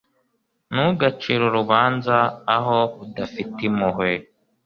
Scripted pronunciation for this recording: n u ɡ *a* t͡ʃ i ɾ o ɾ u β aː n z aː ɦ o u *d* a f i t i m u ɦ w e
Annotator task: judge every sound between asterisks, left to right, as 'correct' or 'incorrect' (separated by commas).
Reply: correct, correct